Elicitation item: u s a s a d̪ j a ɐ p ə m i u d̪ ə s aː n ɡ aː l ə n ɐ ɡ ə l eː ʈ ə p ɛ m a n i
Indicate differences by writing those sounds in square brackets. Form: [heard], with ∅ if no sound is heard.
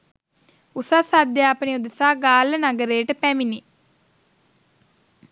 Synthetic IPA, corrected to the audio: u s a s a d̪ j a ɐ p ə [n] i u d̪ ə s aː [∅] ɡ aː l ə n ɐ ɡ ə [ɾ] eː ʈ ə p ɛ m [i] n i